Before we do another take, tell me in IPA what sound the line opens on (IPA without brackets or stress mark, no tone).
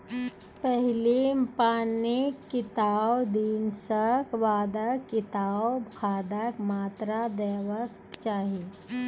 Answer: p